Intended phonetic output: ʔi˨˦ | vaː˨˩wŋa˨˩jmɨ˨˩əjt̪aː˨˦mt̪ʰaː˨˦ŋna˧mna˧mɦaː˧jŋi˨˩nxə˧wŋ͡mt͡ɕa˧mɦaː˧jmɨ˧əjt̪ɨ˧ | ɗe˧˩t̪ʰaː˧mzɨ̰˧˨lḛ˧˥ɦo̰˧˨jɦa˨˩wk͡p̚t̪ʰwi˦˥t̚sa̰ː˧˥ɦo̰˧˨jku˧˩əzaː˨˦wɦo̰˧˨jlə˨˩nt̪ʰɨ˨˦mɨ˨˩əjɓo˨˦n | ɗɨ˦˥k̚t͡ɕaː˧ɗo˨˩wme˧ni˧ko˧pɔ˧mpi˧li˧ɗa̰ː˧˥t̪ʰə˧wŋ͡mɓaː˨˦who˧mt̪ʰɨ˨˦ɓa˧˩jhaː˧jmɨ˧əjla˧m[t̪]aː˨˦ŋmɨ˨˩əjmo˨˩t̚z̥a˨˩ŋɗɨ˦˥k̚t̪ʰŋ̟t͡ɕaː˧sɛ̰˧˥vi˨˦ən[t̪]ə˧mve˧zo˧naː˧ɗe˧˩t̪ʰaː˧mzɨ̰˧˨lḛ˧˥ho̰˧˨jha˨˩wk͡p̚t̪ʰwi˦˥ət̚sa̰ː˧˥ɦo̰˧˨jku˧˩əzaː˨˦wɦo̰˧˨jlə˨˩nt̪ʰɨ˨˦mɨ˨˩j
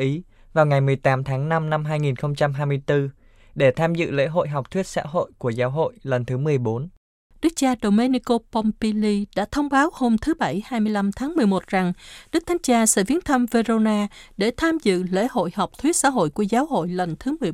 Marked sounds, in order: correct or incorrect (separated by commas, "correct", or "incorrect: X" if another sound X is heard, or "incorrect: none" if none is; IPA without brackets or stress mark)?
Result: incorrect: t̪ʰ, incorrect: t̪ʰ